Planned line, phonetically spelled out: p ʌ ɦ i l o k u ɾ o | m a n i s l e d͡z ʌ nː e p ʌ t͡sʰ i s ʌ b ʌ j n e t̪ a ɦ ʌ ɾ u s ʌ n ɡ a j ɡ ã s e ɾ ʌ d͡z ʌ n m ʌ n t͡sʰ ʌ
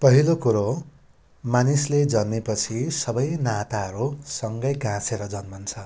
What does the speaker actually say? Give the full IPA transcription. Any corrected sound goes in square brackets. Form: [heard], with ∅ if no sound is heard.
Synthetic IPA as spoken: p ʌ ɦ i l o k u ɾ o | m a n i s l e d͡z ʌ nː e p ʌ t͡sʰ i s ʌ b ʌ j n [a] t̪ a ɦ ʌ ɾ u s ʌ [ŋ] ɡ [ʌ] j ɡ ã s e ɾ ʌ d͡z ʌ n m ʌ n t͡sʰ ʌ